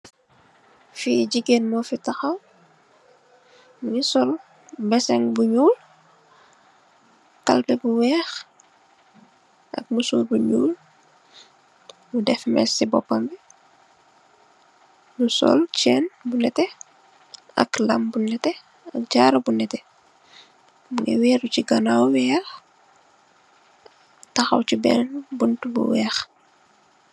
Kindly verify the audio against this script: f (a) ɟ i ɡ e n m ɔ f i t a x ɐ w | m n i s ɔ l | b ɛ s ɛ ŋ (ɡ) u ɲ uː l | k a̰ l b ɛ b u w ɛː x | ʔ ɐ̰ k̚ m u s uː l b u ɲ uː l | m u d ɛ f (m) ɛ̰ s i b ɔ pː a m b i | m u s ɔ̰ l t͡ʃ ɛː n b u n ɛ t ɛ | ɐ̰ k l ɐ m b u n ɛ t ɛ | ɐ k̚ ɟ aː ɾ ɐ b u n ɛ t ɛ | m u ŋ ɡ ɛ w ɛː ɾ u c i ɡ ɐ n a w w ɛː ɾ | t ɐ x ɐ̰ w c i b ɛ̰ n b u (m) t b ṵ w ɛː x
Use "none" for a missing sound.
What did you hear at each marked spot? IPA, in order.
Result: i, b, m, n

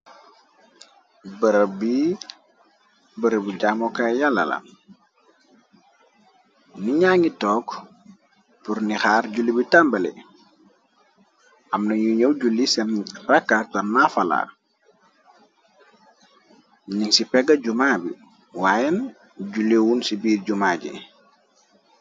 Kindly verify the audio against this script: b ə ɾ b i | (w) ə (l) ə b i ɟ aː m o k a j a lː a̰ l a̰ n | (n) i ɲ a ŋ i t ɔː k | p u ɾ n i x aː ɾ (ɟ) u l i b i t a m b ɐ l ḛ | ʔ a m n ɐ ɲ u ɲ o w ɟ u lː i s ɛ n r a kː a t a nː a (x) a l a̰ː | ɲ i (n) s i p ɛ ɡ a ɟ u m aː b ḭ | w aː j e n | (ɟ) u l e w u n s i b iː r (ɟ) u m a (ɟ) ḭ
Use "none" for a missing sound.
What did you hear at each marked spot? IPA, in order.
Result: b, ɾ, n, ɟ, f, ŋ, ɟ, ɟ, ɟ

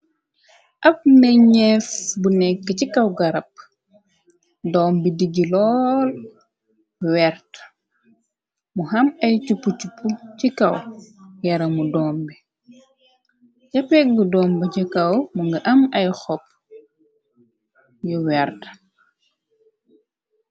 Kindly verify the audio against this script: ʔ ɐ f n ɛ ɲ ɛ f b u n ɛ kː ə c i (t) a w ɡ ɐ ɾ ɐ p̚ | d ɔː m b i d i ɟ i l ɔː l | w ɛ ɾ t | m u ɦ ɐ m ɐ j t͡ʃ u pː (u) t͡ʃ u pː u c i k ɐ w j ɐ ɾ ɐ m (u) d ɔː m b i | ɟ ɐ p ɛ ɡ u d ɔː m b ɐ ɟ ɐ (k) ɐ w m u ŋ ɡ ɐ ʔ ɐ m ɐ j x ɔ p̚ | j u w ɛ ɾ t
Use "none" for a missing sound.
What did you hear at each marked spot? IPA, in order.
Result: k, u, u, k

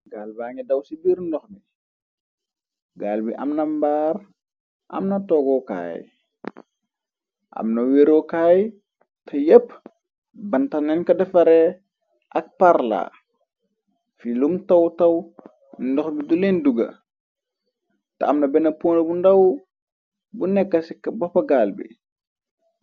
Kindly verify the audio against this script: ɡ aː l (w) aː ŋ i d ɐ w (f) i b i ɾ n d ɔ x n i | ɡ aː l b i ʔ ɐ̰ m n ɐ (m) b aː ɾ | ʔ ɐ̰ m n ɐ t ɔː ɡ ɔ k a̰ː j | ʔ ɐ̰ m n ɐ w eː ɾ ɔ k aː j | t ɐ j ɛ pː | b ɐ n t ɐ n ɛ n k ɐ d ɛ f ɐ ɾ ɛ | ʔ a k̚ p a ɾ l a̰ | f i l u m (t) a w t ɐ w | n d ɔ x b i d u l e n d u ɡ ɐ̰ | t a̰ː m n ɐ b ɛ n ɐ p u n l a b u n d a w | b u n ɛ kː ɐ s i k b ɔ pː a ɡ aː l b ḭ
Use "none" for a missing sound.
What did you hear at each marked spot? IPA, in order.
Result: b, s, m, t

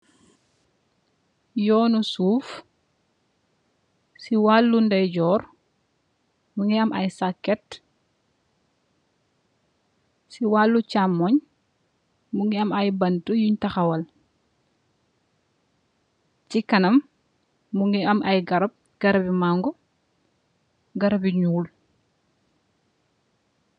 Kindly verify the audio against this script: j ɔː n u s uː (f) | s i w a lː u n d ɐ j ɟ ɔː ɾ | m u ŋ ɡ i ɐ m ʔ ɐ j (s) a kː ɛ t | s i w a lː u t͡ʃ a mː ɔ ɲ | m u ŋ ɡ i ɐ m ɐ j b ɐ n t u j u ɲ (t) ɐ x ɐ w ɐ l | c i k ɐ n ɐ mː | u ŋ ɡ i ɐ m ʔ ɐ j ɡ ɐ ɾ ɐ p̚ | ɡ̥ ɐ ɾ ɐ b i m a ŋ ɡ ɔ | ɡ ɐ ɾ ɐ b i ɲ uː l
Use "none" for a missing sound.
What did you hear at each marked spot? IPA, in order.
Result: f, s, t

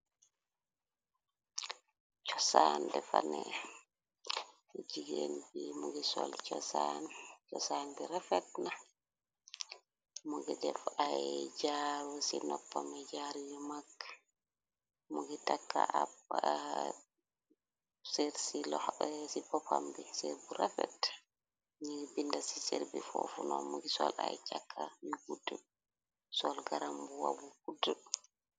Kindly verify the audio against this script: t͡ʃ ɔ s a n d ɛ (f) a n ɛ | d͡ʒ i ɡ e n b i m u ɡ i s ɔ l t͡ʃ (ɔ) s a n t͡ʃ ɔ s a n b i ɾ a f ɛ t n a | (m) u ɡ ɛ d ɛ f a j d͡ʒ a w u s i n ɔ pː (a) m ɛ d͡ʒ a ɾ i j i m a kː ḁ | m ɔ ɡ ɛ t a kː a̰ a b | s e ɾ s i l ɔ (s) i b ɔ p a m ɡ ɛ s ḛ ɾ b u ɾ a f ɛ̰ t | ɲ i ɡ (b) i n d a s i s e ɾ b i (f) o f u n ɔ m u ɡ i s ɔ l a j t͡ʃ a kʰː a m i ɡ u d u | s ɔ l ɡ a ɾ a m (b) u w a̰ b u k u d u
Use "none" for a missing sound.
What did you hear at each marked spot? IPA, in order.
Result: f, ɔ, m, a, s, b, f, b

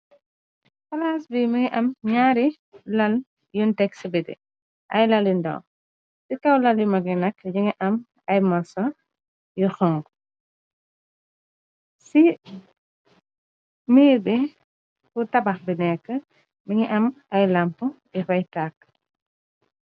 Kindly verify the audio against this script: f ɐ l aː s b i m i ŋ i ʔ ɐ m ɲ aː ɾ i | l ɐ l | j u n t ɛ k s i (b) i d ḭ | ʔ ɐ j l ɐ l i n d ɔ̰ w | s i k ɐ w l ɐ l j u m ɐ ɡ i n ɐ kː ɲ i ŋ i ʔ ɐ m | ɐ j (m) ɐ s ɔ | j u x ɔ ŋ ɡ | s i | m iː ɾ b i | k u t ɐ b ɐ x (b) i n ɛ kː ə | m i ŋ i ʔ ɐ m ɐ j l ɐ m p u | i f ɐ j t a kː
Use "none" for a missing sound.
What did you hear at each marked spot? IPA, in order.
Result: b, m, b

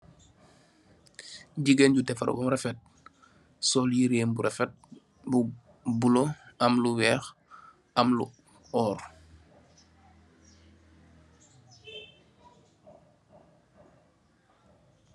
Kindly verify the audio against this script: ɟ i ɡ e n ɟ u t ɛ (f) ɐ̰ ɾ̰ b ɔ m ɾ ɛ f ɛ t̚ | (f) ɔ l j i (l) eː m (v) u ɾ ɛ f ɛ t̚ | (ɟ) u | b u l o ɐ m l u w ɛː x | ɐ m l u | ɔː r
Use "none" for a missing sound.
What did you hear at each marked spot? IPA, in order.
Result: f, s, ɾ, b, b

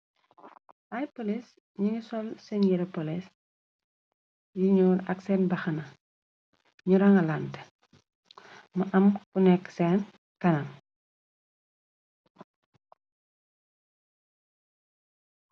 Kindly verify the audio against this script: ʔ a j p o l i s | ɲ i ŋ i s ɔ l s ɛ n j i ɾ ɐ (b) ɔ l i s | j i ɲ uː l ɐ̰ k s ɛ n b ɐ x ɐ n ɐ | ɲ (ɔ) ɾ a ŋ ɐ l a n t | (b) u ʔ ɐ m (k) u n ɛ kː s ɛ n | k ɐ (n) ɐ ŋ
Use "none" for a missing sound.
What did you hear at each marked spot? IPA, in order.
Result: p, u, m, k, n

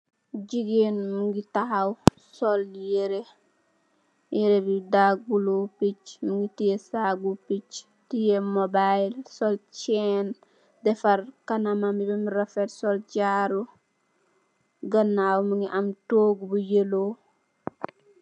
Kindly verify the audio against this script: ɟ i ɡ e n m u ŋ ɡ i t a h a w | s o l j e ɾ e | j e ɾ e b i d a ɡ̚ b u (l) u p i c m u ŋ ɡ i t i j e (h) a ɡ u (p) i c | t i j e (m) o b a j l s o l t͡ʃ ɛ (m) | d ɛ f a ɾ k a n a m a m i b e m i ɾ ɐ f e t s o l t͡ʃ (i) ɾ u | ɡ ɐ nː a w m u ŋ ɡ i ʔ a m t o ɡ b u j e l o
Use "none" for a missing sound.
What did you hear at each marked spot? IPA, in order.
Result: l, s, p, m, n, a

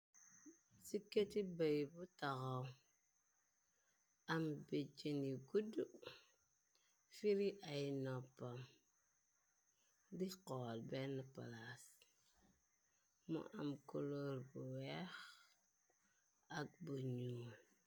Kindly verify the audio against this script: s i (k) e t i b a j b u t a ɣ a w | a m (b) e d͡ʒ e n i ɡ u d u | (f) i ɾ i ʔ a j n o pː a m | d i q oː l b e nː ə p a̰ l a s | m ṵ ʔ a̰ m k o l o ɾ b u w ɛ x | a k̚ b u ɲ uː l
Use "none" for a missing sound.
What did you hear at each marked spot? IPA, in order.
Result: k, b, f

